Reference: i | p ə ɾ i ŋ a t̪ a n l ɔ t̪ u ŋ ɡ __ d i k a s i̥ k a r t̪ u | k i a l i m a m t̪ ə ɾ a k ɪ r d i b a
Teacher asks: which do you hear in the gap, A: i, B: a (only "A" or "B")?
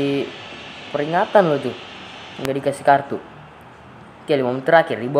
B